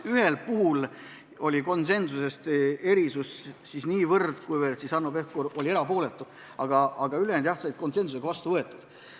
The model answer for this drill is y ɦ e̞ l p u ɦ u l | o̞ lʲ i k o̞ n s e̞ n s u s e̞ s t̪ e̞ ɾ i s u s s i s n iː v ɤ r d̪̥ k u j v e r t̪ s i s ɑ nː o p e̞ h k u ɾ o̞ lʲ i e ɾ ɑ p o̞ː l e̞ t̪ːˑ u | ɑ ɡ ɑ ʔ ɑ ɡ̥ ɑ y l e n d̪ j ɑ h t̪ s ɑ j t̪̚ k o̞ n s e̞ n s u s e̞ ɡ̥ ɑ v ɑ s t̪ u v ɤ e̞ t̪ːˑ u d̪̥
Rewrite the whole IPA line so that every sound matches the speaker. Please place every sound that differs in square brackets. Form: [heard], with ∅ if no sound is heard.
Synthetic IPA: y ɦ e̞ l p u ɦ u l | o̞ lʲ i k o̞ n s e̞ n s u s e̞ s t̪ e̞ ɾ i s u s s i s n iː v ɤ r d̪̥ k u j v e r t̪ s i s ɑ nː o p e̞ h k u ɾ o̞ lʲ i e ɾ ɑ p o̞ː l e̞ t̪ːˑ u | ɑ ɡ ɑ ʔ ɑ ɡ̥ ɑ y l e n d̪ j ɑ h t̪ s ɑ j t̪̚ k o̞ n s e̞ n s u s e̞ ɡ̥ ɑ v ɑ s t̪ u v ɤ e̞ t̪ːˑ u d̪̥